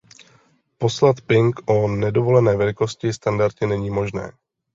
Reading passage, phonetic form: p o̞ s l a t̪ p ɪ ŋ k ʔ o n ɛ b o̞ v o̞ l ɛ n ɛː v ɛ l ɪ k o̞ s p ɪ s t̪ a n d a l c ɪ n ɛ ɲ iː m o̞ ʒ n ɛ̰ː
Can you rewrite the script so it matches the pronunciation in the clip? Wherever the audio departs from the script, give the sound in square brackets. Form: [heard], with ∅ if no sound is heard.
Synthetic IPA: p o̞ s l a t̪ p ɪ ŋ k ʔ o n ɛ [d] o̞ v o̞ l ɛ n ɛː v ɛ l ɪ k o̞ s [c] ɪ s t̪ a n d a [ɾ] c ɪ n ɛ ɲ iː m o̞ ʒ n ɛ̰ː